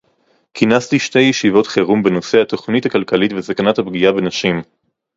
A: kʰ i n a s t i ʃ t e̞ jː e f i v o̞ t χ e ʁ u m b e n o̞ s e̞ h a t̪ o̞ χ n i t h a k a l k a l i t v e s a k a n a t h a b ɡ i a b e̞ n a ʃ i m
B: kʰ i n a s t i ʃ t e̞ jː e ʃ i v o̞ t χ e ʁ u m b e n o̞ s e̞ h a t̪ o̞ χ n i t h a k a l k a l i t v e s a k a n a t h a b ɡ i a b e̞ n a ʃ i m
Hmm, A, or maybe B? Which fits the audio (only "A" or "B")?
B